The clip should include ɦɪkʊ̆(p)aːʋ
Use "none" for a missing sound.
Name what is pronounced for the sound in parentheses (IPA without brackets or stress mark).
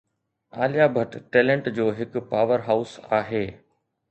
p